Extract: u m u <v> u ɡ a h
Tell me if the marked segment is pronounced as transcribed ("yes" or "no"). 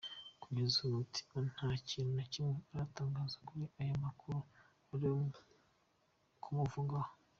yes